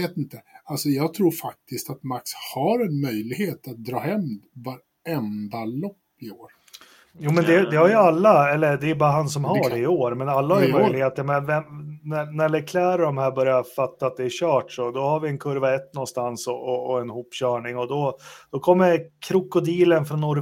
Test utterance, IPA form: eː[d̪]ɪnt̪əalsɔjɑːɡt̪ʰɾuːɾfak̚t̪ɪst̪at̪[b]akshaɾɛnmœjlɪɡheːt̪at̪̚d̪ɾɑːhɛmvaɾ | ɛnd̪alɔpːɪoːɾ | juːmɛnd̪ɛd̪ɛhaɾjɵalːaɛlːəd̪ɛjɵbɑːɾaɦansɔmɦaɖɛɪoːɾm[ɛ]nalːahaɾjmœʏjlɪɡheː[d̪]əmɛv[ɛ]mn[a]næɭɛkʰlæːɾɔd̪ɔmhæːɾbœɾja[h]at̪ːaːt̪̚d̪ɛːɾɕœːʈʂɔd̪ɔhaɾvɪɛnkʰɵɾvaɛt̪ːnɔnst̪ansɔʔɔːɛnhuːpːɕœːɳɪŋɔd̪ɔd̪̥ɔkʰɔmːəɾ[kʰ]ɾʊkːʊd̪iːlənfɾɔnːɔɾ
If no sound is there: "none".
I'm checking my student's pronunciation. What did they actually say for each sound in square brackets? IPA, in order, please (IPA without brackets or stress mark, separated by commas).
t̪, m, ɛ, t̪, ɛ, æ, f, kʰ